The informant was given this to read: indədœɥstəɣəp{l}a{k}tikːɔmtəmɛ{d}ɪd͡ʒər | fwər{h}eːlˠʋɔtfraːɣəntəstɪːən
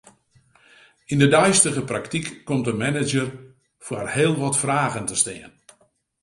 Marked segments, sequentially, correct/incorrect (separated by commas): incorrect, correct, incorrect, correct